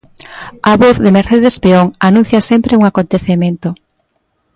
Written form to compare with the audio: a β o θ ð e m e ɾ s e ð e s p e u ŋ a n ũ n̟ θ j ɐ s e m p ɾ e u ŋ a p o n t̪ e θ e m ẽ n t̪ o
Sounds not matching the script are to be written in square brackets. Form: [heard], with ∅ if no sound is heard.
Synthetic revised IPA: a β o θ ð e m e ɾ [θ] e ð e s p e [o] ŋ a n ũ n̟ θ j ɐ s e m p ɾ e u ŋ a [k] o n t̪ e θ e m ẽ n t̪ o